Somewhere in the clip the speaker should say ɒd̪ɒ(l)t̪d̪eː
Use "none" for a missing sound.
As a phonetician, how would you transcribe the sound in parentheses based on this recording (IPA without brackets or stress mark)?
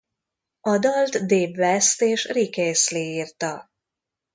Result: l